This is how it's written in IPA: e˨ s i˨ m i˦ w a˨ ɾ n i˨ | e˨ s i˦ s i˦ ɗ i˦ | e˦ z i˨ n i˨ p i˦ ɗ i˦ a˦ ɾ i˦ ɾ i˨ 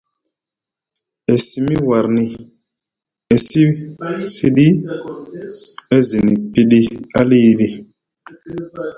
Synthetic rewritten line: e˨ s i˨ m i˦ w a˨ ɾ n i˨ | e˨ s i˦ s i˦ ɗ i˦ | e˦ z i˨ n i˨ p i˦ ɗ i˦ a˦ l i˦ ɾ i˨